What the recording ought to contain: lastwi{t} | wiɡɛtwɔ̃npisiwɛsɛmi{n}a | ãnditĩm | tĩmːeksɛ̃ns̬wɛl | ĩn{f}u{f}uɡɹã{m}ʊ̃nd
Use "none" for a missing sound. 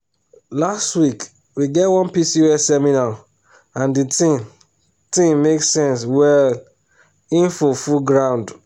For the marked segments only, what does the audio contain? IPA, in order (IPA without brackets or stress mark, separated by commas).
k, n, f, f, none